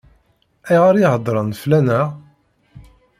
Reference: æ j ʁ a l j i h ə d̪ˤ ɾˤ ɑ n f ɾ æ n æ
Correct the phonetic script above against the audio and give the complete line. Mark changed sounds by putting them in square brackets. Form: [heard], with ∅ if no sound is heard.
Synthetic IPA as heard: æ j ʁ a [ɾ] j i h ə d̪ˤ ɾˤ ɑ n f [l] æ n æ